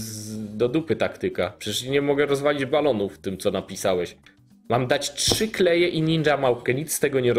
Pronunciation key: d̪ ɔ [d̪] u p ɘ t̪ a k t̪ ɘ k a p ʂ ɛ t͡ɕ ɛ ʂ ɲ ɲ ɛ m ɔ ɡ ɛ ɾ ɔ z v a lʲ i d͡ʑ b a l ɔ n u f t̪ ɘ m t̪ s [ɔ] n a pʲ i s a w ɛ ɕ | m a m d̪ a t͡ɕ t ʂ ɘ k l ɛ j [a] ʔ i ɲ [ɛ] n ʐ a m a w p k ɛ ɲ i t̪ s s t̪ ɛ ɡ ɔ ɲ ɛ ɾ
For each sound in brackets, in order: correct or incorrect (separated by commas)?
correct, correct, incorrect, incorrect